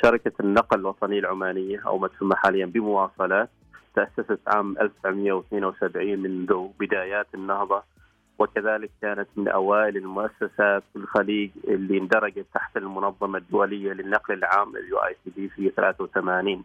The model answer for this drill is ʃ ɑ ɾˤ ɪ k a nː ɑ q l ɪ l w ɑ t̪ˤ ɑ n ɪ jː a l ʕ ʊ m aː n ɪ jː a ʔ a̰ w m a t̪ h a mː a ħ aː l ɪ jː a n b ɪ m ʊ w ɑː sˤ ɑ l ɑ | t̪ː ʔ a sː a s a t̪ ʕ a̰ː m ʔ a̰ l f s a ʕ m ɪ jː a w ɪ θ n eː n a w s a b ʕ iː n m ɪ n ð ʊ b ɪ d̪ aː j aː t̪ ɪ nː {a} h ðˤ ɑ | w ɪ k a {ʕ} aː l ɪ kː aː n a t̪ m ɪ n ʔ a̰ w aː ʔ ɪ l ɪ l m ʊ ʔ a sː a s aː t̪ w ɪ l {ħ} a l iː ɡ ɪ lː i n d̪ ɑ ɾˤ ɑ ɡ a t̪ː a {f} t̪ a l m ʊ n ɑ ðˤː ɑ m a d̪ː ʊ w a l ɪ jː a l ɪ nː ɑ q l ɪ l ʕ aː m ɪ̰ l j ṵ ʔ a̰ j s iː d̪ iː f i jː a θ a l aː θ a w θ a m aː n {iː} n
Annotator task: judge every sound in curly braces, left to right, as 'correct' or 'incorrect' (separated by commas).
incorrect, incorrect, incorrect, incorrect, correct